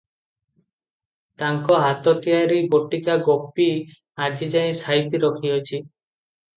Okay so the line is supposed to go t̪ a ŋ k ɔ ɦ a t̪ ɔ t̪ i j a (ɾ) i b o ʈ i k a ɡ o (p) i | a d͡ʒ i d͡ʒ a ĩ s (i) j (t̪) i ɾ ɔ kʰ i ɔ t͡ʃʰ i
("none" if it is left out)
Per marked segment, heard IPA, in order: ɾ, p, a, t̪

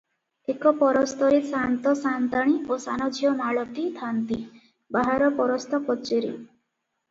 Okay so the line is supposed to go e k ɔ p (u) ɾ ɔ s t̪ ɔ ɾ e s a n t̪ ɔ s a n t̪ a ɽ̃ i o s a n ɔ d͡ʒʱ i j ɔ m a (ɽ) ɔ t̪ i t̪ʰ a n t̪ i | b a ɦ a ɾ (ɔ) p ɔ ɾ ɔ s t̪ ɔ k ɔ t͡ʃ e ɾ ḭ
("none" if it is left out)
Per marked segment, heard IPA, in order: ɔ, ɭ, ɔ

